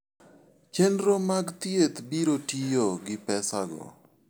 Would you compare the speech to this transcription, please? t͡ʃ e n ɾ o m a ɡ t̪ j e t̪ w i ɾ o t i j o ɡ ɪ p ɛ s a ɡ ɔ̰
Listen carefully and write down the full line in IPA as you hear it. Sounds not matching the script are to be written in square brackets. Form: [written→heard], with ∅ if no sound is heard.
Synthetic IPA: t͡ʃ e n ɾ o m a ɡ t̪ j e t̪ [w→b] i ɾ o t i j o ɡ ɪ p ɛ s a ɡ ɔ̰